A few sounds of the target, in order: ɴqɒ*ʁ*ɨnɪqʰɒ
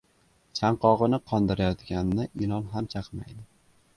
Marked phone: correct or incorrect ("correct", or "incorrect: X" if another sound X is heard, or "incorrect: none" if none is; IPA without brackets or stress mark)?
correct